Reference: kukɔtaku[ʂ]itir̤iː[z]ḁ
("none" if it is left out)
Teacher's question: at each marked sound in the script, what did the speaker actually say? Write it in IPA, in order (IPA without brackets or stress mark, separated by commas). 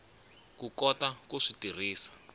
ʂ, s